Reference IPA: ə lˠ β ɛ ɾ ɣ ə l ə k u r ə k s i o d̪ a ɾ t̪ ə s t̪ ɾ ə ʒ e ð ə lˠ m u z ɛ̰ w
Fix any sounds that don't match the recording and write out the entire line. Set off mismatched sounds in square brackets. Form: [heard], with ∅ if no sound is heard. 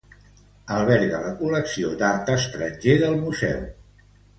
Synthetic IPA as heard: ə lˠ β ɛ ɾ ɣ ə l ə k u [l] ə k s i o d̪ a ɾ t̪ ə s t̪ ɾ ə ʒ e ð ə lˠ m u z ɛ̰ w

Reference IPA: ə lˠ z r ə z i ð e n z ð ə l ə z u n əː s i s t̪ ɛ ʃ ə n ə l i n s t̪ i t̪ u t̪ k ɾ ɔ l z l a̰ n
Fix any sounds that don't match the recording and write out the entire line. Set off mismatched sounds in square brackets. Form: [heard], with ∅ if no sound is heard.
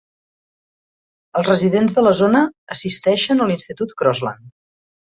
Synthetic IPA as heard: ə lˠ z r ə z i ð e n z ð ə l ə z [o] n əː s i s t̪ ɛ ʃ ə n ə l i n s t̪ i t̪ u t̪ k ɾ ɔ [∅] z l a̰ n

